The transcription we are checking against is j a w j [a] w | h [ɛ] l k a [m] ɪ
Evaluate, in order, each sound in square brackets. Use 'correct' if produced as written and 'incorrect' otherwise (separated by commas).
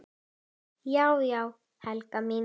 correct, incorrect, correct